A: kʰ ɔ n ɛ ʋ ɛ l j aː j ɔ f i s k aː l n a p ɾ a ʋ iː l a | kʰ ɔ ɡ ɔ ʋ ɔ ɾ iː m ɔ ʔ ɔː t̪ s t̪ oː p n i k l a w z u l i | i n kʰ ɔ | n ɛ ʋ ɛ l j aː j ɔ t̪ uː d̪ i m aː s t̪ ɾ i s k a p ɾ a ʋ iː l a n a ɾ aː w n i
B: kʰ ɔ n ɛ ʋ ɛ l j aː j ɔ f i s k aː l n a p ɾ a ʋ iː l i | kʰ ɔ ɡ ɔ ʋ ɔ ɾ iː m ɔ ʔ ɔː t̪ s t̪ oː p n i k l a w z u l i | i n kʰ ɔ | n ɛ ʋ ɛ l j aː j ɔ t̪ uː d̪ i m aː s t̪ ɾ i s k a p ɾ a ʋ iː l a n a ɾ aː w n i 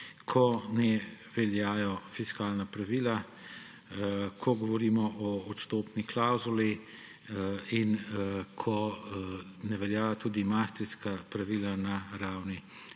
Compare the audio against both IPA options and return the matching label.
A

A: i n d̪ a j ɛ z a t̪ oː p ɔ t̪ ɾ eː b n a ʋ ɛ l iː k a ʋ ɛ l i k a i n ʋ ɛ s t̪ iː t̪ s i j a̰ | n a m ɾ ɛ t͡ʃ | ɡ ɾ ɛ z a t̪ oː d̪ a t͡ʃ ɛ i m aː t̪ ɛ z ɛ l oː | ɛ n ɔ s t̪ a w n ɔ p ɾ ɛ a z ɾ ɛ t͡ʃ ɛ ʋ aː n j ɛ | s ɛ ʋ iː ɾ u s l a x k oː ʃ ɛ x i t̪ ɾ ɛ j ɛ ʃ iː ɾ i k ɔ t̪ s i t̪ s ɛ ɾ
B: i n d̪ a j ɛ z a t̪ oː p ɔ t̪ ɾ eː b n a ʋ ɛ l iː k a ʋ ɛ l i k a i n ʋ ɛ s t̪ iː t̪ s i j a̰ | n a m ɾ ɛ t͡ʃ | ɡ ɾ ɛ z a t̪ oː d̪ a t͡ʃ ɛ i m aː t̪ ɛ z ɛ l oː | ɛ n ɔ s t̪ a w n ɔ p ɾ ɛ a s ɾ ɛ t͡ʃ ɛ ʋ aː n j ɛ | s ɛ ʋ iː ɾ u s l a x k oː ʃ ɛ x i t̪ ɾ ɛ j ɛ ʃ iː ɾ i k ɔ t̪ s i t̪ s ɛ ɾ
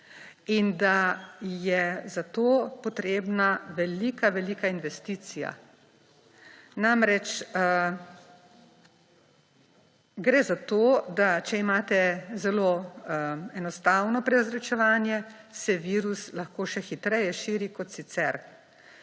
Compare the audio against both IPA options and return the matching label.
A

